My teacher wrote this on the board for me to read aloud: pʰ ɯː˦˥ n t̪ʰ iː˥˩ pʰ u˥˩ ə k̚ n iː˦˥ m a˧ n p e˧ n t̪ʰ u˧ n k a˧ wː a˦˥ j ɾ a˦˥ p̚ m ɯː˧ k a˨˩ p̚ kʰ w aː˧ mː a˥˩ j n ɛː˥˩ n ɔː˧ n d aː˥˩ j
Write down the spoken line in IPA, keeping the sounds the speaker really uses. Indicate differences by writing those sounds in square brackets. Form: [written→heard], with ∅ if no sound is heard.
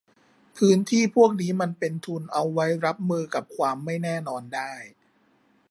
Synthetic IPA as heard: pʰ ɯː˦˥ n t̪ʰ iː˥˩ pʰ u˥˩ ə k̚ n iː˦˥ m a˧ n p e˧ n t̪ʰ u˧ n [k→ʔ] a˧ wː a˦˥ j ɾ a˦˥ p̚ m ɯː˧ k a˨˩ p̚ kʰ w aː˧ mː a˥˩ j n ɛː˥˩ n ɔː˧ n d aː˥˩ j